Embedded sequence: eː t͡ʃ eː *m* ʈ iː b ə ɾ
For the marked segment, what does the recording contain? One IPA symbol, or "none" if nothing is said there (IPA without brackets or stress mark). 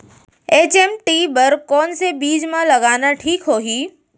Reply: m